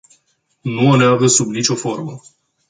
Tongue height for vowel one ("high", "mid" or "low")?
high